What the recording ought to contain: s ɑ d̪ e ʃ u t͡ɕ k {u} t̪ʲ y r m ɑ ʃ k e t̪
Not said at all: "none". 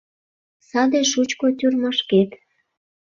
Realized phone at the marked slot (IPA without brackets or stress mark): o